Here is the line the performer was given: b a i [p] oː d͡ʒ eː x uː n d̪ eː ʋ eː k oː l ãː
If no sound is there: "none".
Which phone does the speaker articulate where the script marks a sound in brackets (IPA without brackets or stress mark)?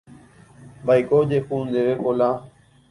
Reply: k